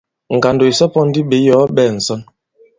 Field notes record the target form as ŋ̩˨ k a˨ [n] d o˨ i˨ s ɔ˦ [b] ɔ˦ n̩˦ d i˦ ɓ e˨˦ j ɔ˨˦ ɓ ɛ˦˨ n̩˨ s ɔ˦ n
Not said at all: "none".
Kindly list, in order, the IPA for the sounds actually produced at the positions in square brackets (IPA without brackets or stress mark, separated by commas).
n, p